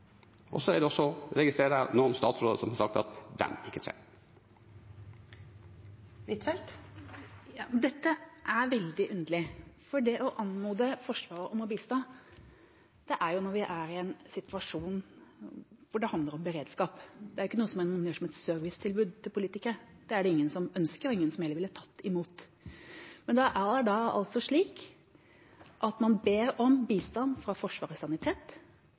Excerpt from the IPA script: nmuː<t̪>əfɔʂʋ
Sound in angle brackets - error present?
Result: yes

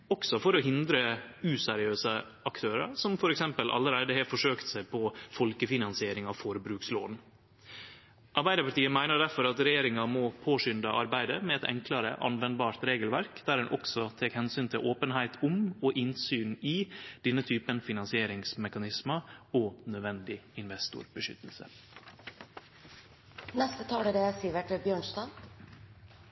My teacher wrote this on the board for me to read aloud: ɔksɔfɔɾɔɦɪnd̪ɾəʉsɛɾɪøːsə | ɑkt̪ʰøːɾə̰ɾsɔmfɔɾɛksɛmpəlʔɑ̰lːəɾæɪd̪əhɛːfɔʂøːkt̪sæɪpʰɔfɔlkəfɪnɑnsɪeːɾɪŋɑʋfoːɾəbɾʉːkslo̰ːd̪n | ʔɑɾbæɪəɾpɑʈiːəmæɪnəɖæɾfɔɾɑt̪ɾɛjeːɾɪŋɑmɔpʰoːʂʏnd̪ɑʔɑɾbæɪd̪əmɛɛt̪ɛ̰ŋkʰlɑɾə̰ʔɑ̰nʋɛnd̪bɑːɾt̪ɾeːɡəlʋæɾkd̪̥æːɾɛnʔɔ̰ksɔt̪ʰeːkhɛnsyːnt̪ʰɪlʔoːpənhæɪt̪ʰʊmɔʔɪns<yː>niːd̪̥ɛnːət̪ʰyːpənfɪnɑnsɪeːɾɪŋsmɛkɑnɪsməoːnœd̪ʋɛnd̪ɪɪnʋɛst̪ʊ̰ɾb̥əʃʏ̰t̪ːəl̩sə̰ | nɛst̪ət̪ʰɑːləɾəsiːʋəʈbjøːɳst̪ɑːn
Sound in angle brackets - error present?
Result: no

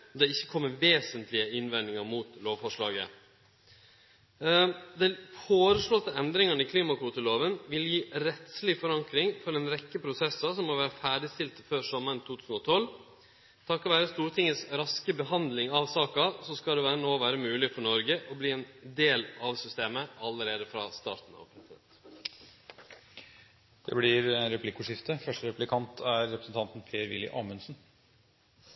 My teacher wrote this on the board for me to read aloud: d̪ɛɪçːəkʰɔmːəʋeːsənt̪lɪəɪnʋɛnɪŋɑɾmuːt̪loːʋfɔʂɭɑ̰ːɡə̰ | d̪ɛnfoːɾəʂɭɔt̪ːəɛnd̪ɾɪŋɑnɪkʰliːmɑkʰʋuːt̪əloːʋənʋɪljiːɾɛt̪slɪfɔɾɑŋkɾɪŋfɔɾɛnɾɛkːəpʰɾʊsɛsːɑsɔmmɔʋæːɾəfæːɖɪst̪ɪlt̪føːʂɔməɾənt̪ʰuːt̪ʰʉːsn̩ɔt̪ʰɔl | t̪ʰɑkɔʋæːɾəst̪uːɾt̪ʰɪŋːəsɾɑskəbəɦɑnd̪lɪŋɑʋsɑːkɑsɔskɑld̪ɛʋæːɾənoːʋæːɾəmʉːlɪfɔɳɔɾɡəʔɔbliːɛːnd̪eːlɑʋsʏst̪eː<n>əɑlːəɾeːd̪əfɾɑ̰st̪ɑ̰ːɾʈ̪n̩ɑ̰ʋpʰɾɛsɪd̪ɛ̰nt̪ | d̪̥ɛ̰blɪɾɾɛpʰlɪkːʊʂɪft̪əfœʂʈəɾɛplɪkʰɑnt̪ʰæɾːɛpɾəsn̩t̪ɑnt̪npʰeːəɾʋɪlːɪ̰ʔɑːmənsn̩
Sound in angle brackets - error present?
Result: yes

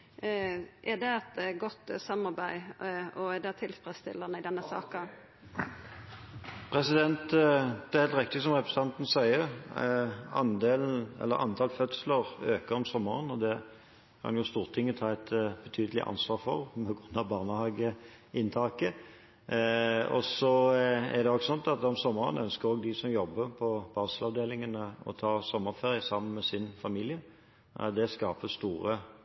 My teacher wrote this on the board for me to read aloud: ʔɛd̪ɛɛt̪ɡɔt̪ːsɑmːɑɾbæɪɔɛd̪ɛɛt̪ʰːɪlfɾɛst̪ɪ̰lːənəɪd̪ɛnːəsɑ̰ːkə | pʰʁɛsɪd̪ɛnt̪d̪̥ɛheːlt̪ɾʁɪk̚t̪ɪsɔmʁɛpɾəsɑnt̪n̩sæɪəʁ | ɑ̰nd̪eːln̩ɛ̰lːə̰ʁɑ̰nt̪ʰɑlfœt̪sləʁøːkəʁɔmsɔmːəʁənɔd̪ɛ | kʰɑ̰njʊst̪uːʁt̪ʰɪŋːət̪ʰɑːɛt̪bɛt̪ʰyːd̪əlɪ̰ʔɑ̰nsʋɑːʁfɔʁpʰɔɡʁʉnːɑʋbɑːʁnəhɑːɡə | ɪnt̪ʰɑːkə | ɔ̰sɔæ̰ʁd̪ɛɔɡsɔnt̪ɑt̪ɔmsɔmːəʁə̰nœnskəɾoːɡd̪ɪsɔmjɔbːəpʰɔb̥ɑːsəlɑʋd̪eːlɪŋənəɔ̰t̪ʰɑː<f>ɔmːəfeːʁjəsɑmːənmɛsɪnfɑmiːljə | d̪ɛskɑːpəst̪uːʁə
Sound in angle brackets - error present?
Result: yes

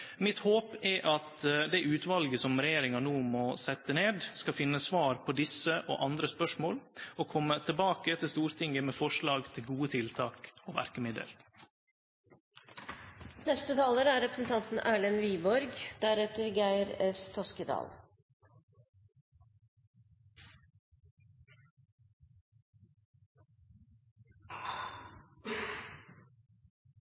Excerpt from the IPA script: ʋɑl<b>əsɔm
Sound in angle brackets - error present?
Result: yes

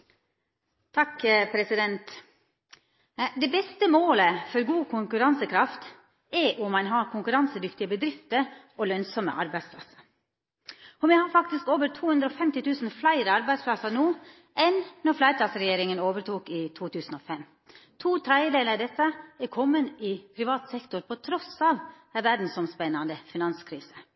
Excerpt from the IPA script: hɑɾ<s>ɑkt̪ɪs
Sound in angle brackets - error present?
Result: yes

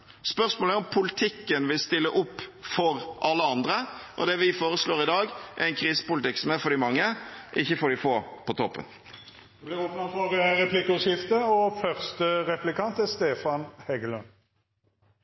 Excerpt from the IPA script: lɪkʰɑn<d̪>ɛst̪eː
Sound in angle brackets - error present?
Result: yes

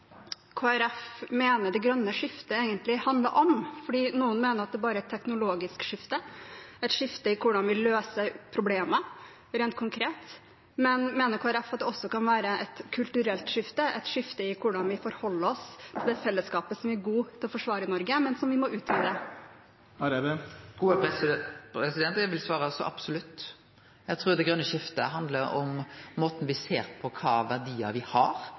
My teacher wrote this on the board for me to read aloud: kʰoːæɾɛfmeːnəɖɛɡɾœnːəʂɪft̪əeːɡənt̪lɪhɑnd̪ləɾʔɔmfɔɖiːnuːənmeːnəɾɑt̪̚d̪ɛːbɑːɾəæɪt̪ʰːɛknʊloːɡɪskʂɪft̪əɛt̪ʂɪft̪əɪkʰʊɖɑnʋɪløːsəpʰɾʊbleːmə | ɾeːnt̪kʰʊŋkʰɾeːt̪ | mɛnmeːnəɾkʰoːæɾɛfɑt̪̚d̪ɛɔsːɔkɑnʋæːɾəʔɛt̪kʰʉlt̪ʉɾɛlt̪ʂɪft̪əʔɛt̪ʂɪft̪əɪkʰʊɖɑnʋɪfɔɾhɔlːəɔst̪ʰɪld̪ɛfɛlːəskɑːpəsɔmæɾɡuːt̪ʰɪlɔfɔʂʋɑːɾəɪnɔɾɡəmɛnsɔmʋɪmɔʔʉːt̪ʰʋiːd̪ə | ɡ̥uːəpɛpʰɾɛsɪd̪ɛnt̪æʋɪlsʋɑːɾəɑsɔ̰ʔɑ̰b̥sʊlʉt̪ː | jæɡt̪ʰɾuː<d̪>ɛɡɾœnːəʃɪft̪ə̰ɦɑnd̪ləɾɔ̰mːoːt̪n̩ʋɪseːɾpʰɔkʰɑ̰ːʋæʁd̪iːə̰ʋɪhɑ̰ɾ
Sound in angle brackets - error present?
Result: no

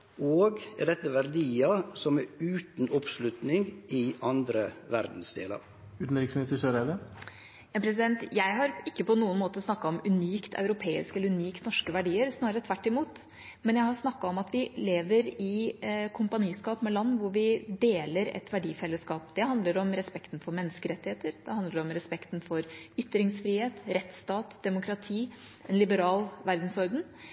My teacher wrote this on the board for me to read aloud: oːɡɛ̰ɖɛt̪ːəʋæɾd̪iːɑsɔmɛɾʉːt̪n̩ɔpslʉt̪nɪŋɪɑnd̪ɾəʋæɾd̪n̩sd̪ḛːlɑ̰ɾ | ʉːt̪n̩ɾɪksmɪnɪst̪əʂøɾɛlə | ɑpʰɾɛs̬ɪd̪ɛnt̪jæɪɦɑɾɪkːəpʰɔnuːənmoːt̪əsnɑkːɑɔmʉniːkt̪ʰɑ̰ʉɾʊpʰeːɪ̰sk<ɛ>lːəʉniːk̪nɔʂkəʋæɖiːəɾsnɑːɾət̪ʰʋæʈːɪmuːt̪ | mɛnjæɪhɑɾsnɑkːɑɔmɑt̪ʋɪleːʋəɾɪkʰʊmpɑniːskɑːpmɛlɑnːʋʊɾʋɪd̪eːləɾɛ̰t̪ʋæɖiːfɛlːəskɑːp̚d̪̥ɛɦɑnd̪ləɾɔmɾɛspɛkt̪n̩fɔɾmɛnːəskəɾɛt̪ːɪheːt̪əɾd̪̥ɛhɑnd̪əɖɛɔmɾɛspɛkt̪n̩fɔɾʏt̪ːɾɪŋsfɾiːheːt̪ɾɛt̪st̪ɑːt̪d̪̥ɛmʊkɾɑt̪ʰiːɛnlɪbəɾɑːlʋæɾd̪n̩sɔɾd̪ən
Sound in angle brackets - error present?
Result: no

